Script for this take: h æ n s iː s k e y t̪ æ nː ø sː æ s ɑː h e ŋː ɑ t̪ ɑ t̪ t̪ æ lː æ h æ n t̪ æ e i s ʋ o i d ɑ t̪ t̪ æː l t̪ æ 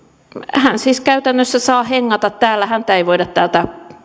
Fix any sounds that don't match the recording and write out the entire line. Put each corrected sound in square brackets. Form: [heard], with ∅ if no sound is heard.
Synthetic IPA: h æ n s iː s k [æ] y t̪ æ nː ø sː æ s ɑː h e ŋː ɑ t̪ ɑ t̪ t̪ [æː] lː æ h æ n t̪ æ e i [∅] ʋ o i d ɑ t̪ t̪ æː l t̪ æ